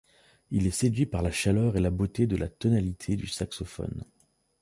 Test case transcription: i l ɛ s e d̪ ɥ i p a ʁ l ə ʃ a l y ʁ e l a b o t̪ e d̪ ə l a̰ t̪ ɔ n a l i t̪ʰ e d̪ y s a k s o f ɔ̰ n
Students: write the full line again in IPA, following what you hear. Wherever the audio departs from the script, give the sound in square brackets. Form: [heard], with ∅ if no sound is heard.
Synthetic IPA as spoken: i l ɛ s e d̪ ɥ i p a ʁ l [a] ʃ a l [œ] ʁ e l a b o t̪ e d̪ ə l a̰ t̪ ɔ n a l i t̪ʰ e d̪ y s a k s [ɔ] f ɔ̰ n